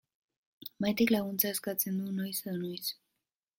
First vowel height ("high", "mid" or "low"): low